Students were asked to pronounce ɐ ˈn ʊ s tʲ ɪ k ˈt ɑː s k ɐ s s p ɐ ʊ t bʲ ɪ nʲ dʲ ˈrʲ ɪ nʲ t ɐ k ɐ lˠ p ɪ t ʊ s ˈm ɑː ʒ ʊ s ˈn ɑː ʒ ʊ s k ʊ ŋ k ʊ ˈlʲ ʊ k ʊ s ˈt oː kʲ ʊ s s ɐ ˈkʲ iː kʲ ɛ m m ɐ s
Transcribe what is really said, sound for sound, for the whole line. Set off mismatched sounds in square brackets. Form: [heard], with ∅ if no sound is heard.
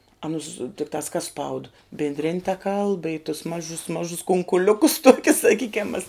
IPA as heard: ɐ ˈn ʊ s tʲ ɪ k ˈt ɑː s k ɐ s s p ɐ ʊ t bʲ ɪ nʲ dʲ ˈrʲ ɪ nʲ t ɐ k ɐ lˠ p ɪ t ʊ s ˈm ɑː ʒ ʊ s [ˈm] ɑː ʒ ʊ s k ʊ ŋ k ʊ ˈlʲ ʊ k ʊ s ˈt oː kʲ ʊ s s ɐ ˈkʲ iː kʲ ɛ m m ɐ s